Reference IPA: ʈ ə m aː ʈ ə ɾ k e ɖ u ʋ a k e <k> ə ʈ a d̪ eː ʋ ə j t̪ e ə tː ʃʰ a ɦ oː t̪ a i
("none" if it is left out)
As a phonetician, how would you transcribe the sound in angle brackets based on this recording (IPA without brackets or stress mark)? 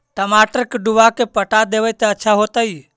p